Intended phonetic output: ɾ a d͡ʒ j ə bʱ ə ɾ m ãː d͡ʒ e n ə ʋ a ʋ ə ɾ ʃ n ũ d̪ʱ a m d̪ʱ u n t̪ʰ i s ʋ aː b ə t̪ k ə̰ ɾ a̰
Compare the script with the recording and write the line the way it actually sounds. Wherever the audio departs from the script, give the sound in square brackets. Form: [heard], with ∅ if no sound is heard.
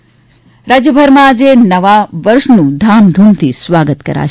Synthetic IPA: ɾ a d͡ʒ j ə bʱ ə ɾ m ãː d͡ʒ e n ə ʋ a ʋ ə ɾ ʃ n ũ d̪ʱ a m d̪ʱ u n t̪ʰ i s ʋ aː [ɡ] ə t̪ k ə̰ ɾ a̰